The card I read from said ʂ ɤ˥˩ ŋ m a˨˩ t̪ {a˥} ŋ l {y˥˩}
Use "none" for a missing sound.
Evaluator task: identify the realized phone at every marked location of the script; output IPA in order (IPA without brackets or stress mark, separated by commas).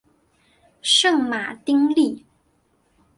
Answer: i˥, i˥˩